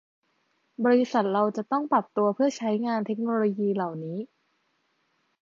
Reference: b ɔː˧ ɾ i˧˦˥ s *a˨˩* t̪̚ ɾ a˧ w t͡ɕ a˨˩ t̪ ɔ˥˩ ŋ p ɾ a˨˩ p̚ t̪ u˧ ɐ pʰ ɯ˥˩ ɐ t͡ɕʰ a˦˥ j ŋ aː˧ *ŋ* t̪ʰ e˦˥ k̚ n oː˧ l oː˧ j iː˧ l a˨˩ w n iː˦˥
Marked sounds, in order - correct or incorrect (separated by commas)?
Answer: correct, incorrect